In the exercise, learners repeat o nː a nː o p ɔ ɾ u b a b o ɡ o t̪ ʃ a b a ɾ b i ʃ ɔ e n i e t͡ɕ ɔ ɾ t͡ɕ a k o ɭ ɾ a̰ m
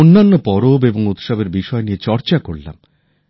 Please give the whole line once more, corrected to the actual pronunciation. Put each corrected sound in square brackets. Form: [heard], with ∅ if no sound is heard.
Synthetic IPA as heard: o nː a nː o p ɔ ɾ [o] b [e] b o [ŋ] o t̪ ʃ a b [e] ɾ b i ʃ ɔ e n i e t͡ɕ ɔ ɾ t͡ɕ a k o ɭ [l] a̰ m